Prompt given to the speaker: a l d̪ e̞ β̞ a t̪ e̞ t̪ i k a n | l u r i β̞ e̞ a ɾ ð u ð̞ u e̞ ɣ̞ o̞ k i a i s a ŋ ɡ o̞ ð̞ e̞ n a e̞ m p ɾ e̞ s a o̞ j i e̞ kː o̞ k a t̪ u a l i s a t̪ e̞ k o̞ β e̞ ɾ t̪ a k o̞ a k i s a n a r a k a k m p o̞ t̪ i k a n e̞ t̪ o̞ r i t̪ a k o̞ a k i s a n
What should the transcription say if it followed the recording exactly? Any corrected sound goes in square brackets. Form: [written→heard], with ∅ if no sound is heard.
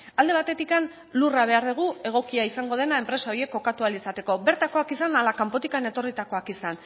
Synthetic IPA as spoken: a l d̪ e̞ β̞ a t̪ e̞ t̪ i k a n | l u r [i→a] β̞ e̞ a ɾ ð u [ð̞→ɣ̞] u e̞ ɣ̞ o̞ k i a i s a ŋ ɡ o̞ ð̞ e̞ n a e̞ m p ɾ e̞ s a o̞ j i e̞ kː o̞ k a t̪ u a l i s a t̪ e̞ k o̞ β e̞ ɾ t̪ a k o̞ a k i s a n a [r→l] a k a [k→∅] m p o̞ t̪ i k a n e̞ t̪ o̞ r i t̪ a k o̞ a k i s a n